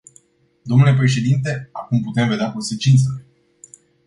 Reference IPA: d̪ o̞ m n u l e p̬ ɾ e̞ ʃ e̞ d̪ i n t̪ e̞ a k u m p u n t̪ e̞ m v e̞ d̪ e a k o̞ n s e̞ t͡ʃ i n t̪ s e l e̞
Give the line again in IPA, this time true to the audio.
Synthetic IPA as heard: d̪ o̞ m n u l e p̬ ɾ e̞ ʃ e̞ d̪ i n t̪ e̞ a k u m p u t̪ e̞ m v e̞ d̪ e a k o̞ n s e̞ t͡ʃ i n t̪ s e l e̞